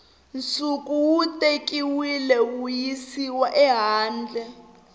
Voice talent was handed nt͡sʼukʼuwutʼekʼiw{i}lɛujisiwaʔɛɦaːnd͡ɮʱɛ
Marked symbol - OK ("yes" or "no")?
yes